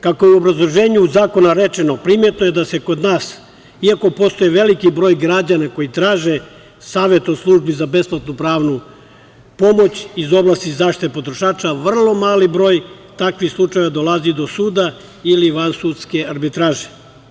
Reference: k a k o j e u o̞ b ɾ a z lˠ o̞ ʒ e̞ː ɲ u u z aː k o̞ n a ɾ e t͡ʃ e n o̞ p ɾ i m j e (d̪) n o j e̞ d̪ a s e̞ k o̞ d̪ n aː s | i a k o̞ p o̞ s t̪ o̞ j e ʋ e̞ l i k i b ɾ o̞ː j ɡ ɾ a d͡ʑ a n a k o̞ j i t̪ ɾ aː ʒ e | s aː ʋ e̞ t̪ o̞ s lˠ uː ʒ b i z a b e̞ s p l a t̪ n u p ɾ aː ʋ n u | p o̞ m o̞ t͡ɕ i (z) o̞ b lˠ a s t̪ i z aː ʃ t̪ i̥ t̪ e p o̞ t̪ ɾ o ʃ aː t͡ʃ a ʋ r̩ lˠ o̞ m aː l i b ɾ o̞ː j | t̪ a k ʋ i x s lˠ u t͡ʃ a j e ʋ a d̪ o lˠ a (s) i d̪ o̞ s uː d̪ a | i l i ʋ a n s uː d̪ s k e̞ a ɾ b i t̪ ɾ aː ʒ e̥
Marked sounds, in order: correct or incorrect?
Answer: incorrect: t̪, correct, incorrect: z

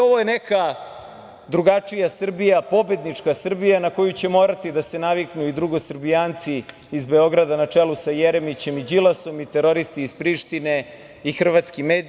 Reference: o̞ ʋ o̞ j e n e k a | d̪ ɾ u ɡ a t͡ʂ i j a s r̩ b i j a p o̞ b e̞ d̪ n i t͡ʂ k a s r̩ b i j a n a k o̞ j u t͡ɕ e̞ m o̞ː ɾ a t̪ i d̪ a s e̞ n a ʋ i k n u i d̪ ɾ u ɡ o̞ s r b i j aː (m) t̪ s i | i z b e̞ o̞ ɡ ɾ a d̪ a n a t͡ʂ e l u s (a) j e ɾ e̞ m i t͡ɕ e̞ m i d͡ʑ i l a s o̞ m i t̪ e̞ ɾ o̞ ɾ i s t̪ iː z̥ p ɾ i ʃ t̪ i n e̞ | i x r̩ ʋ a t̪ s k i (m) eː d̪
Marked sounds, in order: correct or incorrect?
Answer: incorrect: n, correct, correct

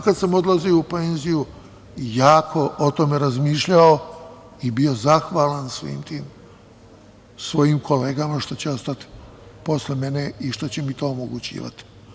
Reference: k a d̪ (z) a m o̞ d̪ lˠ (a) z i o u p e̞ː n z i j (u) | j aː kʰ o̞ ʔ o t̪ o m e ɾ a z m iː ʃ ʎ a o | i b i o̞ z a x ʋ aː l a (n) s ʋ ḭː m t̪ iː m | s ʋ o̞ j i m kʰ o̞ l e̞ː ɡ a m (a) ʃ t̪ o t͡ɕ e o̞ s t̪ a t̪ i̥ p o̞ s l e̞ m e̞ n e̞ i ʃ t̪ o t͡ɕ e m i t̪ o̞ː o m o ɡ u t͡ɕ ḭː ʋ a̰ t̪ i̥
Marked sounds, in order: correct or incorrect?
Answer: incorrect: s, correct, correct, correct, correct

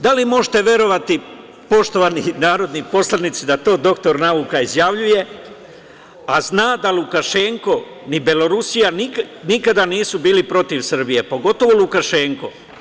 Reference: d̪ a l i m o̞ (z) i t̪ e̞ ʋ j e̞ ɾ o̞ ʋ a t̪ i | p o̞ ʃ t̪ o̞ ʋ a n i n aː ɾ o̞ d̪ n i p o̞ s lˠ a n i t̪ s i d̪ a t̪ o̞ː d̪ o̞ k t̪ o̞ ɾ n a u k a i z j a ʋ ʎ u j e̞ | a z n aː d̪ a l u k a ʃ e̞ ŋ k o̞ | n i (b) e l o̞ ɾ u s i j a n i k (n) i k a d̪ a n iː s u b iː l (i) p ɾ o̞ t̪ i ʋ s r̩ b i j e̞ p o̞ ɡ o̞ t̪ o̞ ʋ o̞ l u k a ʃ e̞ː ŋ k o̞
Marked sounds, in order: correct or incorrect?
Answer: incorrect: ʒ, correct, correct, correct

